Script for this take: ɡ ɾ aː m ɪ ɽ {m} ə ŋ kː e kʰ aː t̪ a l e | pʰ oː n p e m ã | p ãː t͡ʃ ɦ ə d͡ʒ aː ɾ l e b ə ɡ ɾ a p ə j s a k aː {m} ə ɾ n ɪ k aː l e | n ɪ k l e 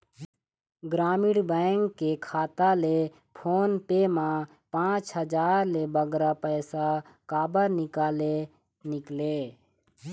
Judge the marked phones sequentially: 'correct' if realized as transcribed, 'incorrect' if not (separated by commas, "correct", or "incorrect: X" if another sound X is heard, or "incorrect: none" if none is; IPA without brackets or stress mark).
incorrect: b, incorrect: b